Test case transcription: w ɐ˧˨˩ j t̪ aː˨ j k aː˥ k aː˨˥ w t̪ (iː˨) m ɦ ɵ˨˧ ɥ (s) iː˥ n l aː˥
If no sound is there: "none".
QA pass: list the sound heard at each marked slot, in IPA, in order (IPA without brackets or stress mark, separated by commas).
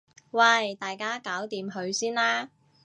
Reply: iː˨, s